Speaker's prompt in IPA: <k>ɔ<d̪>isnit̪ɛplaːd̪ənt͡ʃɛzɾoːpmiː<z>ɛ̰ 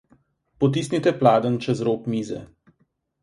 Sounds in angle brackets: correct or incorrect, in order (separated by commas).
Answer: incorrect, incorrect, correct